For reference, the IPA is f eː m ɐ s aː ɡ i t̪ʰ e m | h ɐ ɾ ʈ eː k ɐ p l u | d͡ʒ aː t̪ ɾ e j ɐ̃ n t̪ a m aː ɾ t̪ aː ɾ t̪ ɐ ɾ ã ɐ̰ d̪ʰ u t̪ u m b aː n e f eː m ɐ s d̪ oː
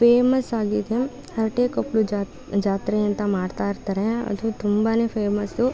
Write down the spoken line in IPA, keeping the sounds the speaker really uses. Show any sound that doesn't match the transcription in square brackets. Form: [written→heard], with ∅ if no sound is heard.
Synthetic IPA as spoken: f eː m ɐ s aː ɡ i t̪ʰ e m | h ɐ ɾ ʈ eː k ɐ p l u | d͡ʒ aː t̪ ɾ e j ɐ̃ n t̪ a m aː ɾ t̪ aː ɾ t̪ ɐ ɾ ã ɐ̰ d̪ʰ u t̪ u m b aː n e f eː m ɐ s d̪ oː